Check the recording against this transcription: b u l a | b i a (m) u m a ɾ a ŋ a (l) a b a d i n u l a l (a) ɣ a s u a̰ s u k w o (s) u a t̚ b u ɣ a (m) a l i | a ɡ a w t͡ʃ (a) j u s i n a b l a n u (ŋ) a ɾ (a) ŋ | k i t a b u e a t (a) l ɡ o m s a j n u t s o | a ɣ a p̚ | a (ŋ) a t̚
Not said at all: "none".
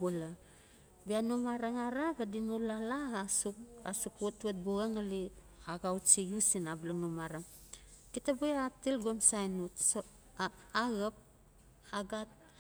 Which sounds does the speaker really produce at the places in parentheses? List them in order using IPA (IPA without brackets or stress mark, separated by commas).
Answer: n, ɾ, a, t, ŋ, i, m, a, i, ɡ